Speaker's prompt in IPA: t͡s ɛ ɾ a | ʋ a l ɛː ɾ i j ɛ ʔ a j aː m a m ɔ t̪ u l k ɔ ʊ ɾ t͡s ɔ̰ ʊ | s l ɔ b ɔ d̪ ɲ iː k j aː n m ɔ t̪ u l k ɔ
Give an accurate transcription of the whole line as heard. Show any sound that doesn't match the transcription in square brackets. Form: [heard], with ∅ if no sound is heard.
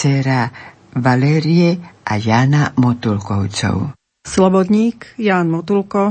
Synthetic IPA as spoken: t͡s ɛ ɾ a | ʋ a l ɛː ɾ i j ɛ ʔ a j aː [n] a m ɔ t̪ u l k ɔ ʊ [∅] t͡s ɔ̰ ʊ | s l ɔ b ɔ d̪ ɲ iː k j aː n m ɔ t̪ u l k ɔ